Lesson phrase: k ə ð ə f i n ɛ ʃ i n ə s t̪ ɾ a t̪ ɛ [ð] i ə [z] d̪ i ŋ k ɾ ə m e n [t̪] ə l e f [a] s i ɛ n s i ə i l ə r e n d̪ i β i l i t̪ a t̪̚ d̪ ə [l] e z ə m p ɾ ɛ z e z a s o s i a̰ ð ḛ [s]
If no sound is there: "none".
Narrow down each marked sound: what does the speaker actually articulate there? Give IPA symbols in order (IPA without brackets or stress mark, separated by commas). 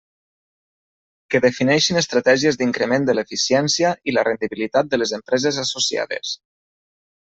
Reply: ʒ, z, d̪, i, l, s